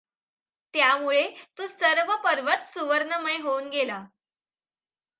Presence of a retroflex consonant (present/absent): present